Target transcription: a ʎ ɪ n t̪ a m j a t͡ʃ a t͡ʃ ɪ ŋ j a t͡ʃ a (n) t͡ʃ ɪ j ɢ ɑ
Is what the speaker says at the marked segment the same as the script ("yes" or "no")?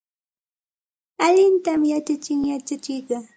no